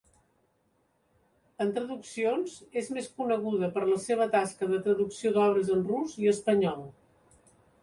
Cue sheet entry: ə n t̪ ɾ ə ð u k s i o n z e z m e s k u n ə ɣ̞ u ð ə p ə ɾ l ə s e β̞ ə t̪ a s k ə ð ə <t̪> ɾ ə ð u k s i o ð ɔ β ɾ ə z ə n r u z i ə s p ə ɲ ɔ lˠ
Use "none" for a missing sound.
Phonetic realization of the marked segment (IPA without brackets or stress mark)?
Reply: t̪